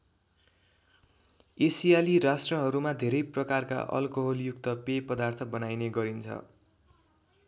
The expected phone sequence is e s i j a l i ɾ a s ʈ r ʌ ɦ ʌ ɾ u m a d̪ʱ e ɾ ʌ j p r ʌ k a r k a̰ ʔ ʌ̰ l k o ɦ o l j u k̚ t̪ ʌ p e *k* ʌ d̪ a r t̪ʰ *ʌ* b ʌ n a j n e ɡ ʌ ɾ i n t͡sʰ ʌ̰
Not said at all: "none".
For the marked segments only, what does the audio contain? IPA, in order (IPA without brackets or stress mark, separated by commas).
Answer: p, ʌ